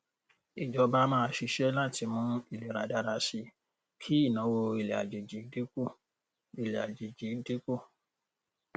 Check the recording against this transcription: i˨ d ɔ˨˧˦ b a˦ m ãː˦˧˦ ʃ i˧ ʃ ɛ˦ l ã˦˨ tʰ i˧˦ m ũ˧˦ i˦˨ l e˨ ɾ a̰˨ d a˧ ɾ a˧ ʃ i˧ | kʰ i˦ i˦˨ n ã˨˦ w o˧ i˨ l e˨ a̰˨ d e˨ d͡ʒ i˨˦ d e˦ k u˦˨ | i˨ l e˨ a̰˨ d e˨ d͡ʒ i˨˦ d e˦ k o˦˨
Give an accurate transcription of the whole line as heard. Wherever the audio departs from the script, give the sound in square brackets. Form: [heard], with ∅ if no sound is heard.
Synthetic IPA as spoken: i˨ [d͡ʒ] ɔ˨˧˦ b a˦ m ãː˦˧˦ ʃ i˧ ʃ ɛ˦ l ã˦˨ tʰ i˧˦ m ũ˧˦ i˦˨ l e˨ ɾ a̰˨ d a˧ ɾ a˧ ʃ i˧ | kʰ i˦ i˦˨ n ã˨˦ w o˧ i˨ l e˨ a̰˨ [d͡ʒ] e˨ d͡ʒ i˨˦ d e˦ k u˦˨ | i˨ l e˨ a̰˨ [d͡ʒ] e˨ d͡ʒ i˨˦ d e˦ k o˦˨